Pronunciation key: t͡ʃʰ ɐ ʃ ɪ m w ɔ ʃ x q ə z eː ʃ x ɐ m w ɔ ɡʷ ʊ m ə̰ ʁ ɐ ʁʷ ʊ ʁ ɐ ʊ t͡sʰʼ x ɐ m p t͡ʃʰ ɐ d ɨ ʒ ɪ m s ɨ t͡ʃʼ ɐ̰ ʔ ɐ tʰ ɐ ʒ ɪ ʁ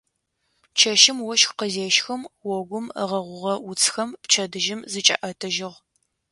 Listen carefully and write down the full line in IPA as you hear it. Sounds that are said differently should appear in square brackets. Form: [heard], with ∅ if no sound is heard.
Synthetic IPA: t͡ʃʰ ɐ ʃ ɪ m w ɔ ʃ x q ə z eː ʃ x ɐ m w ɔ ɡʷ ʊ m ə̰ ʁ ɐ ʁʷ ʊ ʁ ɐ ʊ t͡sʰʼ x ɐ m p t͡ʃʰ ɐ d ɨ ʒ ɪ m [z] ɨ t͡ʃʼ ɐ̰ ʔ ɐ tʰ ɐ ʒ ɪ ʁ

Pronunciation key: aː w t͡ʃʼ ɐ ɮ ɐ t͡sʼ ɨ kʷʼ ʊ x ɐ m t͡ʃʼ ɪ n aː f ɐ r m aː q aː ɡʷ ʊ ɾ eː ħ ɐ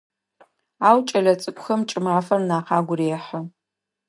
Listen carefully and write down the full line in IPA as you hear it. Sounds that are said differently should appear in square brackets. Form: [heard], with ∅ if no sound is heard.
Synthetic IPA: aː w t͡ʃʼ ɐ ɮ ɐ t͡sʼ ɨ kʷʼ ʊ x ɐ m t͡ʃʼ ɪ [m] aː f ɐ r [n] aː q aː ɡʷ ʊ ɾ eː ħ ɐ

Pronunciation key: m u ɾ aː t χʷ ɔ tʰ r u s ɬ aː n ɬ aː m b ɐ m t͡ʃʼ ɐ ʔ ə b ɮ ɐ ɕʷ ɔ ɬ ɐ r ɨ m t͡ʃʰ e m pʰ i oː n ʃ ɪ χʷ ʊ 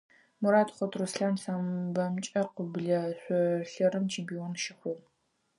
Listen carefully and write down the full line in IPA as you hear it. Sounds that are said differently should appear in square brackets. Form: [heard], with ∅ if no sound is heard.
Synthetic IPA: m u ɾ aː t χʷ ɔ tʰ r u s ɬ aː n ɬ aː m b ɐ m t͡ʃʼ ɐ [q] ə b ɮ ɐ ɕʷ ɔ ɬ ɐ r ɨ m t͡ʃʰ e m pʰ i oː n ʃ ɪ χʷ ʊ

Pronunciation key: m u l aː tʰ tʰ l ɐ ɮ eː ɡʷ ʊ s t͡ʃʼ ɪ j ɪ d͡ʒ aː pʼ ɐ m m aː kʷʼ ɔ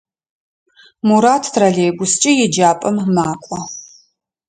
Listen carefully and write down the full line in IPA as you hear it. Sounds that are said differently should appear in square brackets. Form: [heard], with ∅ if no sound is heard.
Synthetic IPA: m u [ɾ] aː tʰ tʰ [r] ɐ ɮ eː ɡʷ ʊ s t͡ʃʼ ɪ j ɪ d͡ʒ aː pʼ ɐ m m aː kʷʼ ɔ

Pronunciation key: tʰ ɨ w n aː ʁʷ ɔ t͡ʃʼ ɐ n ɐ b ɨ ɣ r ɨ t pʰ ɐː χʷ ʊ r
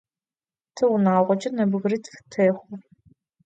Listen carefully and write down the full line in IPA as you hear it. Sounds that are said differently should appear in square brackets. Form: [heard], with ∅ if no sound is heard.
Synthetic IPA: tʰ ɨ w n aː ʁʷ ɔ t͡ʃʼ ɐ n ɐ b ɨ ɣ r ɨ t [tʰ] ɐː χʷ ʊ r

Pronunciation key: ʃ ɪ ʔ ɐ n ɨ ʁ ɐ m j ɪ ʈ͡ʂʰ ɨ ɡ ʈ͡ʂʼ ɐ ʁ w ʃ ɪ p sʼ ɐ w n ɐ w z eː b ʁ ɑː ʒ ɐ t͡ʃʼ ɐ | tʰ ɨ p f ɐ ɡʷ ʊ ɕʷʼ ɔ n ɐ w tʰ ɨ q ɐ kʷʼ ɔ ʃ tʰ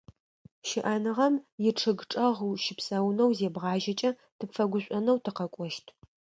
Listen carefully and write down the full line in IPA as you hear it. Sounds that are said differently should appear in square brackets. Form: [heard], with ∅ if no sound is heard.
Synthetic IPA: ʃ ɪ ʔ ɐ n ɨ ʁ ɐ m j ɪ ʈ͡ʂʰ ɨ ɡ ʈ͡ʂʼ ɐ ʁ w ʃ ɪ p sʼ ɐ w n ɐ w z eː b ʁ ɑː ʒ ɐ t͡ʃʼ ɐ | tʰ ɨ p f ɐ ɡʷ ʊ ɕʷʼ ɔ n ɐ w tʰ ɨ q ɐ kʷʼ ɔ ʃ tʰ

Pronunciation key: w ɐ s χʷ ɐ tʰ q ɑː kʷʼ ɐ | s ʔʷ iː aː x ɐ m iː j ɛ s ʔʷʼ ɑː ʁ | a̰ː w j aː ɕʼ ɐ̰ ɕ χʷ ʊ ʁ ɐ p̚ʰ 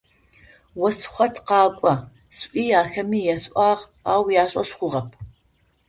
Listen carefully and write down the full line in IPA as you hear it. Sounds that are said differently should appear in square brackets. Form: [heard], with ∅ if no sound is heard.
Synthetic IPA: w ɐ s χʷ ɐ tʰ q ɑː kʷʼ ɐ | s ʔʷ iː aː x ɐ m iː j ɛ s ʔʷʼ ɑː ʁ | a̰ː w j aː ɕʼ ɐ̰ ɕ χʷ ʊ ʁ ɐ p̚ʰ

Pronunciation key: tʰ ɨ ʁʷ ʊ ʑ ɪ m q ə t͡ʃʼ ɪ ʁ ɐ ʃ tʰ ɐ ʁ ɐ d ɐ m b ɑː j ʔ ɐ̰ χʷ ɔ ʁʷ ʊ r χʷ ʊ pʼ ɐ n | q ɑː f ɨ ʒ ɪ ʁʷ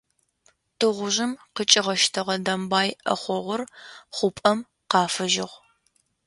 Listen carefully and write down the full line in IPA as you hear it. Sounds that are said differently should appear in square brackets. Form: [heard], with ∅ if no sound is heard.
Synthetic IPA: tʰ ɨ ʁʷ ʊ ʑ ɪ m q ə t͡ʃʼ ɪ ʁ ɐ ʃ tʰ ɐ ʁ ɐ d ɐ m b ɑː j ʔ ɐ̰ χʷ ɔ ʁʷ ʊ r χʷ ʊ pʼ ɐ [m] | q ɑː f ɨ ʒ ɪ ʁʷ

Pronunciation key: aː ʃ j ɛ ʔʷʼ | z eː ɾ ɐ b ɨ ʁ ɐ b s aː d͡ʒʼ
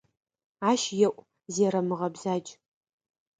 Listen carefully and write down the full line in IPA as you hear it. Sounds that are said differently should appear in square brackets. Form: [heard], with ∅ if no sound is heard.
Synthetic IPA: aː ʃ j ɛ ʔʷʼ | z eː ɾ ɐ [m] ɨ ʁ ɐ b [z] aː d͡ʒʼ

